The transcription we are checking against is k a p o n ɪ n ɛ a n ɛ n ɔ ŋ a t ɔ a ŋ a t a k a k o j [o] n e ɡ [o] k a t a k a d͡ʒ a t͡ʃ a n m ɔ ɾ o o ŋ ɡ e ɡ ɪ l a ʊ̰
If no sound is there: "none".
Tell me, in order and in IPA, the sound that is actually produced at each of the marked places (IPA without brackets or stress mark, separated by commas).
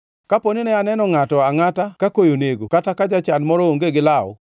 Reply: o, o